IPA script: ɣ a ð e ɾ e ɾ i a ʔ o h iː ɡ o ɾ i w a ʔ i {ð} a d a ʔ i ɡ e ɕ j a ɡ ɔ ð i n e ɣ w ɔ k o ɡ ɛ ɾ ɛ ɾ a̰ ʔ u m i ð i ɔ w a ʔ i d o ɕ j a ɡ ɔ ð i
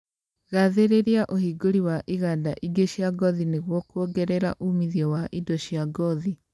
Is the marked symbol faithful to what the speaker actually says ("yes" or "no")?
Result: no